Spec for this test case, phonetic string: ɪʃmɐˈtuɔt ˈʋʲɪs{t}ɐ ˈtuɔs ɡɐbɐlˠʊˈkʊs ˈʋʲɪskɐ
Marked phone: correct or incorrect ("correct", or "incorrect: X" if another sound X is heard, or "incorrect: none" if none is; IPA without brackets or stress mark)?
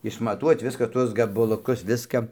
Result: incorrect: k